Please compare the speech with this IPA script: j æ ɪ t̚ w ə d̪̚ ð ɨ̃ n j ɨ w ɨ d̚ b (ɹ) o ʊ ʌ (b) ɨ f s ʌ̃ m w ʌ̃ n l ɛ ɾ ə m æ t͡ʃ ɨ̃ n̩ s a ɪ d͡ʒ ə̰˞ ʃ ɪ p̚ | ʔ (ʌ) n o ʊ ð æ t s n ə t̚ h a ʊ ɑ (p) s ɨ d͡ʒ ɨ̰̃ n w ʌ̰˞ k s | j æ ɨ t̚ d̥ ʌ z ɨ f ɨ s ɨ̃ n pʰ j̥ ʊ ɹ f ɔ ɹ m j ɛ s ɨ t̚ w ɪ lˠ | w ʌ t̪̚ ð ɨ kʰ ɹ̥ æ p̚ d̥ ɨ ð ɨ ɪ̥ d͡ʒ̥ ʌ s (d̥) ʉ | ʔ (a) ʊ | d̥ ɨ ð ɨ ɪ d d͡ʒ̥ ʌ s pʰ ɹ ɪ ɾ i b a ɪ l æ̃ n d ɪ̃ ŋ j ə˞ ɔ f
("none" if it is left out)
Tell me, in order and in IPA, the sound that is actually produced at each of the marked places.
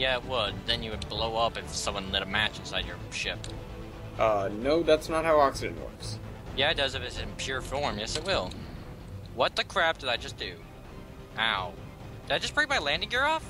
l, p, ʌ, k, d̥, a

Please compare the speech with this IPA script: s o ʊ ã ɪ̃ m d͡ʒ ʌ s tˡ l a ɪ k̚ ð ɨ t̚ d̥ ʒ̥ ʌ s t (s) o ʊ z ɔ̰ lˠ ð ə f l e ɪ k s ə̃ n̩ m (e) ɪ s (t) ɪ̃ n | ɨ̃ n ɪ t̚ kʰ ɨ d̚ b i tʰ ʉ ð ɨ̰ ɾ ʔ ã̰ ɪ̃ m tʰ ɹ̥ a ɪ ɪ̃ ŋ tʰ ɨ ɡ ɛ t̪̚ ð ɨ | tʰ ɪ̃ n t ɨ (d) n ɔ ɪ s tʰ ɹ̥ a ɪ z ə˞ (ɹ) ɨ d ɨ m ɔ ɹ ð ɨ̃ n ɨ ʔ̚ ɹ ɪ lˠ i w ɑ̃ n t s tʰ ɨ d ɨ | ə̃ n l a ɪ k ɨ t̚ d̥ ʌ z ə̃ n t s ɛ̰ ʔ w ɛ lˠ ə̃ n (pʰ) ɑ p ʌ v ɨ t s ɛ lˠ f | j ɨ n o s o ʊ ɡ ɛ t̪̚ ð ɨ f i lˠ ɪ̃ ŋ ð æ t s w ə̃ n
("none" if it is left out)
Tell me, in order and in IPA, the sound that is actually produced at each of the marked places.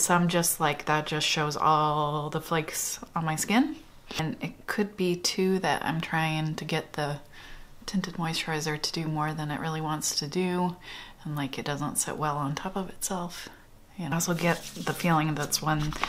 ʃ, a, k, d, ɾ, tʰ

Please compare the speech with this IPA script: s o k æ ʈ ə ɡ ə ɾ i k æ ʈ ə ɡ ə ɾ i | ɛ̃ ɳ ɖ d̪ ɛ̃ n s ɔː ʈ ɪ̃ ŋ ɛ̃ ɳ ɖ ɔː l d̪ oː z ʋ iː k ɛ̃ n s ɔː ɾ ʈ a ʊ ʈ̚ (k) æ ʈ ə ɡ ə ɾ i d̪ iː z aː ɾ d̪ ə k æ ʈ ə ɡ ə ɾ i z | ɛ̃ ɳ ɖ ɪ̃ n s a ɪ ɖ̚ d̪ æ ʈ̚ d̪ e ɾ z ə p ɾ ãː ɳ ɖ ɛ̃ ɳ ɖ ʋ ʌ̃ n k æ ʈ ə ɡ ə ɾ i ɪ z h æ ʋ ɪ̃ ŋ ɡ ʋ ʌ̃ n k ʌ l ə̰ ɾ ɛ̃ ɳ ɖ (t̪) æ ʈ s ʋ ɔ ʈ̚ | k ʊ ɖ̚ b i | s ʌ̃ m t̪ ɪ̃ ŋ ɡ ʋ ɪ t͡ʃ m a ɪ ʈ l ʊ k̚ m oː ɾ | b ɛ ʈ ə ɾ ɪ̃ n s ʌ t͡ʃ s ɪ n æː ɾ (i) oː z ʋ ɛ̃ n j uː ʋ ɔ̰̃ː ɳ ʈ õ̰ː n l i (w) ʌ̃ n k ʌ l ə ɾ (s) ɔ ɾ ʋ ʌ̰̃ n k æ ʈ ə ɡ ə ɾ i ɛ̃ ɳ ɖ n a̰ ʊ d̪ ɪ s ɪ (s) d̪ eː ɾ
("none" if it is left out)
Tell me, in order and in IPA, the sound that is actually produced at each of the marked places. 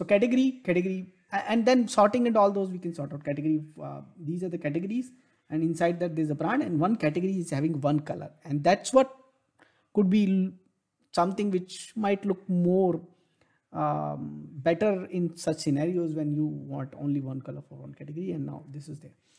k, d̪, i, ʋ, f, z

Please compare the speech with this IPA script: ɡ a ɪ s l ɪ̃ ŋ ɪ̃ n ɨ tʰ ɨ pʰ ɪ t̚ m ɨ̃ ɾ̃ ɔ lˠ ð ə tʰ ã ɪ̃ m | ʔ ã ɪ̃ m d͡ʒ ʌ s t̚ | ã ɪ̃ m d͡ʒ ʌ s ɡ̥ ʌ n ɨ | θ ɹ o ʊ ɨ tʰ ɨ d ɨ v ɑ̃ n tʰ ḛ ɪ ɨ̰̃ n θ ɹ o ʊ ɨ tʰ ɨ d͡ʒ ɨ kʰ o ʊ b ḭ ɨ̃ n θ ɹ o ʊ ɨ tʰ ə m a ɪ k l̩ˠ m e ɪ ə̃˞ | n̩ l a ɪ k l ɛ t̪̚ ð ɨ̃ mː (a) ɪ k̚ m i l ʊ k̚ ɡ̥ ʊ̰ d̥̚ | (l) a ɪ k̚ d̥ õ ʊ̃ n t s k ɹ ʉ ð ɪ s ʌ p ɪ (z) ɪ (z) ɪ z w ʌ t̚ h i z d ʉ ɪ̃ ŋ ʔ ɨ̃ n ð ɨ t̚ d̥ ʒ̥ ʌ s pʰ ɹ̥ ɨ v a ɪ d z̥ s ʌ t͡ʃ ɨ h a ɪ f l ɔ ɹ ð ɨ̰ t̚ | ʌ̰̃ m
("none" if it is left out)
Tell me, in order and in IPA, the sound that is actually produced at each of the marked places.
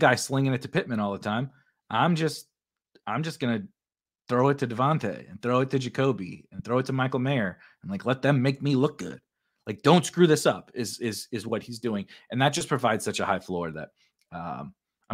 e, l, z, z

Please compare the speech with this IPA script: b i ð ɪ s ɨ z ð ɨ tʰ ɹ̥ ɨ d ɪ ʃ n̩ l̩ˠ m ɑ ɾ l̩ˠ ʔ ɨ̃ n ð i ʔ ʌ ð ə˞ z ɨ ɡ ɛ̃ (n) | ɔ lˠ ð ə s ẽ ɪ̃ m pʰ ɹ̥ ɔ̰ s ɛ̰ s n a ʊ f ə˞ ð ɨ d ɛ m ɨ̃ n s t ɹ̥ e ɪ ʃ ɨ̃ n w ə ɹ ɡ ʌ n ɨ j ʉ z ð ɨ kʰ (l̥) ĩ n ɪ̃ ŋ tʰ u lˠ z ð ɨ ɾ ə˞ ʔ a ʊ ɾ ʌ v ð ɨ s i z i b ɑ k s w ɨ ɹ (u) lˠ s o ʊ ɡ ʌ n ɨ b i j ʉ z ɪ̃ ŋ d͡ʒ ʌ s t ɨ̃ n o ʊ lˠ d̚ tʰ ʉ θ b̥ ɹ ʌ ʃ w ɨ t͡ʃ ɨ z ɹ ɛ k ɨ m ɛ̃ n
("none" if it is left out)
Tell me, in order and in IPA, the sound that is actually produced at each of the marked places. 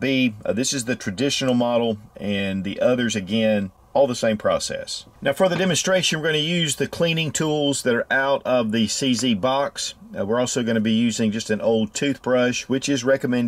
n, l̥, ɔ

